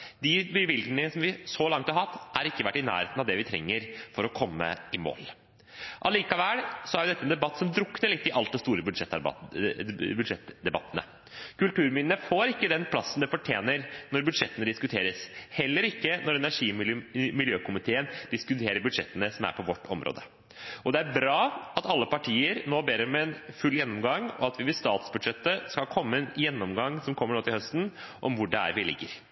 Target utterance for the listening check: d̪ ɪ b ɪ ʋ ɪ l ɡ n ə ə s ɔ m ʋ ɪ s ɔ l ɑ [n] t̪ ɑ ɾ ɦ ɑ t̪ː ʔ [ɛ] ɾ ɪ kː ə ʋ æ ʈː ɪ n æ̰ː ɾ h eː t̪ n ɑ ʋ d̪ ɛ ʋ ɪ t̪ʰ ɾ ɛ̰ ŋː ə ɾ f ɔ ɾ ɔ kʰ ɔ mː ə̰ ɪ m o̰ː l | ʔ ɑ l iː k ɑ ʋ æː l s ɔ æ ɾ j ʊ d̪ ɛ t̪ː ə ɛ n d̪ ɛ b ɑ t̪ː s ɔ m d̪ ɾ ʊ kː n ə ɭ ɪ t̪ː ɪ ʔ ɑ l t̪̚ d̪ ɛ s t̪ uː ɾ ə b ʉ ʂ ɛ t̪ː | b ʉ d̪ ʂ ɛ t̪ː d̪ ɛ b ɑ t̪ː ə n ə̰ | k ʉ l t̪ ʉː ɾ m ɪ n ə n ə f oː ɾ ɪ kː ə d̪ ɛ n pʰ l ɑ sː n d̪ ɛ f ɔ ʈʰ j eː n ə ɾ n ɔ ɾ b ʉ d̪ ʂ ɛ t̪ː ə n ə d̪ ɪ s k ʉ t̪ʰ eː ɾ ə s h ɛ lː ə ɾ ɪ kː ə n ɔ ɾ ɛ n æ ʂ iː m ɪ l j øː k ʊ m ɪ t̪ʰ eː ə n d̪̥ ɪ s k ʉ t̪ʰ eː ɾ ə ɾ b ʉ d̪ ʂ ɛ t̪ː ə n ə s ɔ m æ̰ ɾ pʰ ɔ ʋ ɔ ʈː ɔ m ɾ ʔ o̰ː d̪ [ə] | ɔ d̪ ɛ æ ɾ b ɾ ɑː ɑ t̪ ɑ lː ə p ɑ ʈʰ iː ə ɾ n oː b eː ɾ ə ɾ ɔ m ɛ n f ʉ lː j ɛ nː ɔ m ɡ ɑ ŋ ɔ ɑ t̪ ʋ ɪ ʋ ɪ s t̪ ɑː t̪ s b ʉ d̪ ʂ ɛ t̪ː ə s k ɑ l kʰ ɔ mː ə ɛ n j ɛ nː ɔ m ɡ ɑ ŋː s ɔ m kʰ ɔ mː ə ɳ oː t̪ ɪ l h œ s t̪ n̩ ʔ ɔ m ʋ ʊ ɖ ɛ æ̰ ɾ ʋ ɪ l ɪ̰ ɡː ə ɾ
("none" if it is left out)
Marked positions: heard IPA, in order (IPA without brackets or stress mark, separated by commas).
ŋ, æ, ə